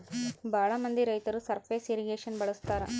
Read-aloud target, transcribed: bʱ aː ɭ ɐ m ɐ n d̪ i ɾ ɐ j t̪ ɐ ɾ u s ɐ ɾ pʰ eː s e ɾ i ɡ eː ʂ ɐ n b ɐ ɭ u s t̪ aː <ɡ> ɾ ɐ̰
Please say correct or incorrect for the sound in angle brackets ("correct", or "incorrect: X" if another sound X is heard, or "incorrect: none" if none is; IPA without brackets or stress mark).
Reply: incorrect: none